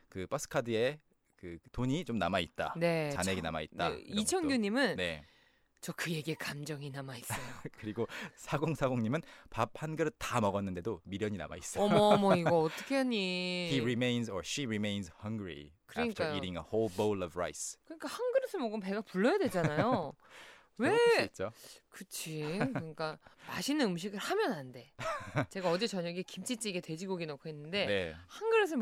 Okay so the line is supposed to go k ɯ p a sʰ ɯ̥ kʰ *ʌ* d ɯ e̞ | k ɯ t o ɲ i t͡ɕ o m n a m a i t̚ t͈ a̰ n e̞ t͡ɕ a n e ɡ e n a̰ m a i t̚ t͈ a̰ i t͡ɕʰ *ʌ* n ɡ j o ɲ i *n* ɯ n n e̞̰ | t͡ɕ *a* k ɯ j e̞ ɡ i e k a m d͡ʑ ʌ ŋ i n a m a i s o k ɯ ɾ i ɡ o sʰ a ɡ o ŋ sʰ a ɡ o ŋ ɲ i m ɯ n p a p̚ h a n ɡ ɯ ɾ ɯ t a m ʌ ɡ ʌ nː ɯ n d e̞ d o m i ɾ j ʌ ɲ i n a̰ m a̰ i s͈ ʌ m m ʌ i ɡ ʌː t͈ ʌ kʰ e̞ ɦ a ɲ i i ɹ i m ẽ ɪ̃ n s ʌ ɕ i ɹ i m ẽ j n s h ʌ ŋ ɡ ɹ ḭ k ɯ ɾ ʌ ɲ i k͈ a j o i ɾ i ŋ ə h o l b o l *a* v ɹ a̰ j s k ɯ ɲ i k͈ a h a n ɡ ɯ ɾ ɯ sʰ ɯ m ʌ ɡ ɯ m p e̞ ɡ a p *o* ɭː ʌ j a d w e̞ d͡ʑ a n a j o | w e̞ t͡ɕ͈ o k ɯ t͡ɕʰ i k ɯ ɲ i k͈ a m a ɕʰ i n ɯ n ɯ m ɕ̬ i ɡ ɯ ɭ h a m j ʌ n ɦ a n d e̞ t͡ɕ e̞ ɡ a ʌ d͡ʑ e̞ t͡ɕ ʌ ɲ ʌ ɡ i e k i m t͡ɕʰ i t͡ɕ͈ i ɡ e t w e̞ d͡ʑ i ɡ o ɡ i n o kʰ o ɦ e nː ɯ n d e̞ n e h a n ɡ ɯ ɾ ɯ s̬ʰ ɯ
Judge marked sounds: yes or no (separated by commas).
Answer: no, yes, no, no, no, no